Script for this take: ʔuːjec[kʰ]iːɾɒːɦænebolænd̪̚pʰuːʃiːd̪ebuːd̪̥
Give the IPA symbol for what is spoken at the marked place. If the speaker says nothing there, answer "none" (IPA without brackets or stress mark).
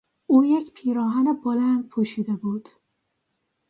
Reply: pʰ